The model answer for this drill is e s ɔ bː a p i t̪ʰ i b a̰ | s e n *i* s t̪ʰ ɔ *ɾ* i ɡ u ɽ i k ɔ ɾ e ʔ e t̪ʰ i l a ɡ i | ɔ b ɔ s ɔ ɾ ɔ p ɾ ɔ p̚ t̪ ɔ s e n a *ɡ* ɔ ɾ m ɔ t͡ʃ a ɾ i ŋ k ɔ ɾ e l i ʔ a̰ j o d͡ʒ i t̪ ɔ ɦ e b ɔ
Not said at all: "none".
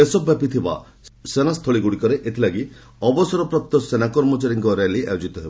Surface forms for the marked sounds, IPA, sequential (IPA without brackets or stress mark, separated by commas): a, ɭ, k